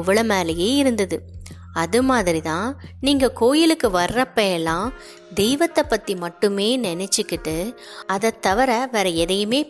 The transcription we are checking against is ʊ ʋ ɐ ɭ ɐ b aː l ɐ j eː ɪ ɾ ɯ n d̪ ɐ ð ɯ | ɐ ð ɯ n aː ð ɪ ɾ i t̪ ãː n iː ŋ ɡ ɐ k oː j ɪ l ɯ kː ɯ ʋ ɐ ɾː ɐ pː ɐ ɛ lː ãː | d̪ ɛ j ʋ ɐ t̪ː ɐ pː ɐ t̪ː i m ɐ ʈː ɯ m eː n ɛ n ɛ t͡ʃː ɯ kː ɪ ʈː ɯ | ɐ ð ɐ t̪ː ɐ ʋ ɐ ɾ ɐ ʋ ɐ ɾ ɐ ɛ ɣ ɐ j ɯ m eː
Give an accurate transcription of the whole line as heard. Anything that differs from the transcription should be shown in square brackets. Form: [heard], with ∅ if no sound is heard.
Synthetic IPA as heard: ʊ ʋ ɐ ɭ ɐ [m] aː l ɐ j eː ɪ ɾ ɯ n d̪ ɐ ð ɯ | ɐ ð ɯ [m] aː ð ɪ ɾ i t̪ ãː n iː ŋ ɡ ɐ k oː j ɪ l ɯ kː ɯ ʋ ɐ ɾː ɐ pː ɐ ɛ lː ãː | d̪ ɛ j ʋ ɐ t̪ː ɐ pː ɐ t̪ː i m ɐ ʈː ɯ m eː n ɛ n ɛ t͡ʃː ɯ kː ɪ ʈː ɯ | ɐ ð ɐ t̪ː ɐ ʋ ɐ ɾ ɐ ʋ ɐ ɾ ɐ ɛ [ð] ɐ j ɯ m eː